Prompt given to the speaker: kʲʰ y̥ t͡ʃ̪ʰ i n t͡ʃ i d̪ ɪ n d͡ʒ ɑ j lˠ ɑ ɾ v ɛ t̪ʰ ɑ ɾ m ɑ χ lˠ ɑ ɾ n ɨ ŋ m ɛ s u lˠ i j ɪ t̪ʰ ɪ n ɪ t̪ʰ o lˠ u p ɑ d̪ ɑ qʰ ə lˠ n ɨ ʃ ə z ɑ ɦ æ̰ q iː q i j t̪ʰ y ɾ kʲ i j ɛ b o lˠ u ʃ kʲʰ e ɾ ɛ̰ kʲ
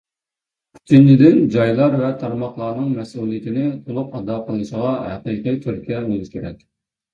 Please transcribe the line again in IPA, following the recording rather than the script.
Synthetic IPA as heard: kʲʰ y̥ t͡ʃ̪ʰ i n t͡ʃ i d̪ ɪ n d͡ʒ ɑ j lˠ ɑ ɾ v ɛ t̪ʰ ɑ ɾ m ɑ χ lˠ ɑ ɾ n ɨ ŋ m ɛ s u lˠ i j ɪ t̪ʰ ɪ n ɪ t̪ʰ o lˠ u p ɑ d̪ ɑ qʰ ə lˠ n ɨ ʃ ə ʁ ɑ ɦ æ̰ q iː q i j t̪ʰ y ɾ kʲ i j ɛ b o lˠ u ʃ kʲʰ e ɾ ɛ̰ kʲ

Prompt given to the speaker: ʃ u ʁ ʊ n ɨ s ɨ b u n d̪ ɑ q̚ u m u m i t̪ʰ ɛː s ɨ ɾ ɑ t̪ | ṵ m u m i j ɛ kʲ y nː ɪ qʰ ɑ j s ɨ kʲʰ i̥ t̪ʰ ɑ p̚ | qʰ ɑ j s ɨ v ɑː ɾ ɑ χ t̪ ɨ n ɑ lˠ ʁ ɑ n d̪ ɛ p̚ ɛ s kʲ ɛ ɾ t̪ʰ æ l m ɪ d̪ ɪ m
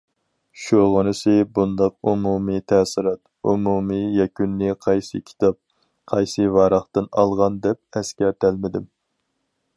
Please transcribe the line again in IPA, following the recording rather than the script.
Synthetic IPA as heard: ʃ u ʁ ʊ n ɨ s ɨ b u n d̪ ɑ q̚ u m u m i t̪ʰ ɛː s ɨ ɾ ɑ t̪ | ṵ m u m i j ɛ kʲ y nː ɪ qʰ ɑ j s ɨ kʲʰ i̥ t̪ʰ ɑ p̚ | qʰ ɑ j s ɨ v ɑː ɾ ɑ χ t̪ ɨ n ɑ lˠ ʁ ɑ n d̪ ɛ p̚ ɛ s kʲ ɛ ɾ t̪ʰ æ l m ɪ d̪ ɪ m

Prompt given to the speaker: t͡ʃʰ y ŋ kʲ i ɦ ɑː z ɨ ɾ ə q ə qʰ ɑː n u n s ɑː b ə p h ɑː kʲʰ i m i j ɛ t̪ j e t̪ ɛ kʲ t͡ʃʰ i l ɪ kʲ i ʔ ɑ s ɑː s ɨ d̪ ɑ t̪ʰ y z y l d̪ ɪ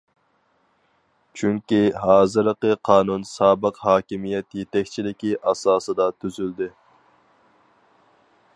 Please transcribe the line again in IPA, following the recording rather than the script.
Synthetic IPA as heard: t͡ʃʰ y ŋ kʲ i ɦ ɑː z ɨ ɾ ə q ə qʰ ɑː n u n s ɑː b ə q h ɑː kʲ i m i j ɛ t̪ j e t̪ ɛ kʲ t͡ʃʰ i l ɪ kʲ i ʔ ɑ s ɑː s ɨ d̪ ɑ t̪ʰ y z y l d̪ ɪ

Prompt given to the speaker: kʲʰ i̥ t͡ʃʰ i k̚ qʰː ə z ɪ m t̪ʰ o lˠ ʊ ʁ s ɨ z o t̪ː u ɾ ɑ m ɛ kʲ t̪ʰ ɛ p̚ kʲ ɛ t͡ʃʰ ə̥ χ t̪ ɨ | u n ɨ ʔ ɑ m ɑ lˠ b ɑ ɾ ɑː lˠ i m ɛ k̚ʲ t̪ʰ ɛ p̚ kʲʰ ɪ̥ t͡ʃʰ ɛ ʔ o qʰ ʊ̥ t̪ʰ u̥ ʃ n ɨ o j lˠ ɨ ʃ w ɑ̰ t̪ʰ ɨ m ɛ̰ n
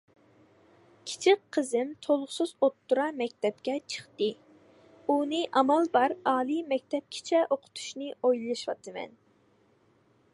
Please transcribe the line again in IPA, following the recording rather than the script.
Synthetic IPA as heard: kʲʰ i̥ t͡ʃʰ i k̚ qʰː ə z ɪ m t̪ʰ o lˠ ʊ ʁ s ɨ z o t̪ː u ɾ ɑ m ɛ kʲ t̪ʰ ɛ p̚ kʲ ɛ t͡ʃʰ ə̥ χ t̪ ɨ | u n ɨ ʔ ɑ m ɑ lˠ b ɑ ɾ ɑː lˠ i m ɛ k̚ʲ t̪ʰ ɛ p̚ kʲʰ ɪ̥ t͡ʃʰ ɛ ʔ o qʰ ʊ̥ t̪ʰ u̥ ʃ n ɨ o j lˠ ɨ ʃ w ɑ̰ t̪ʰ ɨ m ɛ̰ n

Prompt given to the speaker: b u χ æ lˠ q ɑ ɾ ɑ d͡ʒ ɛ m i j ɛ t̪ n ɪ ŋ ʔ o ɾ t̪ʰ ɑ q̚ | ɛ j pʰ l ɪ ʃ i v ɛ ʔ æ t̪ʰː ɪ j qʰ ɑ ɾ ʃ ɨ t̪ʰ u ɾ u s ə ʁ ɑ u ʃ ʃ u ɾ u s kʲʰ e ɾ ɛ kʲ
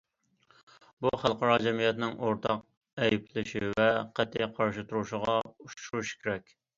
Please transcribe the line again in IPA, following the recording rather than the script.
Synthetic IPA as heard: b u χ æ lˠ q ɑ ɾ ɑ d͡ʒ ɛ m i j ɛ t̪ n ɪ ŋ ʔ o ɾ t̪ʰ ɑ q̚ | ɛ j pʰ l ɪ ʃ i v ɛ q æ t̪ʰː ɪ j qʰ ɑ ɾ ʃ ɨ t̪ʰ u ɾ u ʃ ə ʁ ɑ u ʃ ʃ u ɾ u ʃ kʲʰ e ɾ ɛ kʲ

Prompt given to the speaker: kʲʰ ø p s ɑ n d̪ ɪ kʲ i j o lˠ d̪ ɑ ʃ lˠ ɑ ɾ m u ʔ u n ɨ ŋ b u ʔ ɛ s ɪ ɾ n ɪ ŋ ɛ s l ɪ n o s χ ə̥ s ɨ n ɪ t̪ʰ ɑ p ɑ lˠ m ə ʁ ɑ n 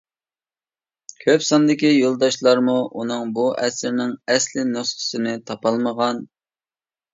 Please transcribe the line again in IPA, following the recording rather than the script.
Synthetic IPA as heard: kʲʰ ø p s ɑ n d̪ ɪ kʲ i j o lˠ d̪ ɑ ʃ lˠ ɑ ɾ m u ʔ u n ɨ ŋ b u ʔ ɛ s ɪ ɾ n ɪ ŋ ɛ s l ɪ n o s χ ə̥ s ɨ n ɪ t̪ʰ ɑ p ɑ lˠ m ə ʁ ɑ n

